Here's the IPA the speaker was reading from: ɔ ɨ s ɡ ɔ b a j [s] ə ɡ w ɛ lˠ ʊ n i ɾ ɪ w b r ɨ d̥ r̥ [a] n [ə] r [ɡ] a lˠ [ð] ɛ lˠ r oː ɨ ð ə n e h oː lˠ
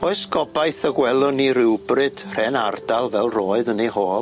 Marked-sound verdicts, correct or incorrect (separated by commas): incorrect, incorrect, incorrect, incorrect, incorrect